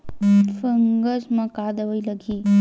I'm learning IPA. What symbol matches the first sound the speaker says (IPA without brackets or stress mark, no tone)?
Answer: f